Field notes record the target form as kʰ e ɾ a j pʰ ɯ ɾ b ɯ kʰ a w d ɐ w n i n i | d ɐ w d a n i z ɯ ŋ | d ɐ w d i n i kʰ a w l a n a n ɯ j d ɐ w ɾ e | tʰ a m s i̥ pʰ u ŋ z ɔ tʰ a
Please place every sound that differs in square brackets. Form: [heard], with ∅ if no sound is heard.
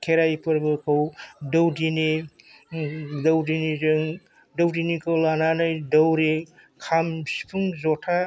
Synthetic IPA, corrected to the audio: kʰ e ɾ a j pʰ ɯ ɾ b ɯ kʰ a w d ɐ w [d] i n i | d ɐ w d [i] n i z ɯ ŋ | d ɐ w d i n i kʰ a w l a n a n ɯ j d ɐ w ɾ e | [kʰ] a m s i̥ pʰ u ŋ z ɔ tʰ a